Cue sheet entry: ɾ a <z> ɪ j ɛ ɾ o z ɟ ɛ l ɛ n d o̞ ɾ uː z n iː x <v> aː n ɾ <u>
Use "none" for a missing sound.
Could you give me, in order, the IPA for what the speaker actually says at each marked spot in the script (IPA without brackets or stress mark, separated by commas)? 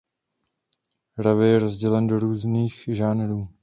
v, ʒ, uː